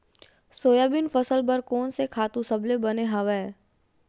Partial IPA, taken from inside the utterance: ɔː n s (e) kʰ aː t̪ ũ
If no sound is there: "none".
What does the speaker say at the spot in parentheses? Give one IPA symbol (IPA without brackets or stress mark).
e